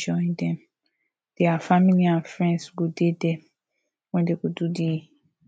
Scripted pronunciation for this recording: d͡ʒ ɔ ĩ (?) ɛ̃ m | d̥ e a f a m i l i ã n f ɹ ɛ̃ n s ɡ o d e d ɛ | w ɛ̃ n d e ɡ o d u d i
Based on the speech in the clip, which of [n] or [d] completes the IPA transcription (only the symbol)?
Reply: d